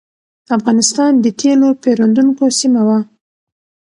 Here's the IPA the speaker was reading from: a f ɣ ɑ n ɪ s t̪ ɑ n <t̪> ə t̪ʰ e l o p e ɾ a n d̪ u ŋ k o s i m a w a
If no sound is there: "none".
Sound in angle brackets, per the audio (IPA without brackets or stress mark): d̪